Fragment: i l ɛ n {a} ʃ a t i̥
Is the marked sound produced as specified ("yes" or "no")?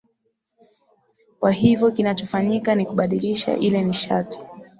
no